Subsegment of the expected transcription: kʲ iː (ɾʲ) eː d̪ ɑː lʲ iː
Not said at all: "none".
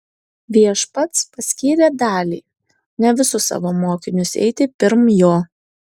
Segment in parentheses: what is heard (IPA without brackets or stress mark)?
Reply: ɾʲ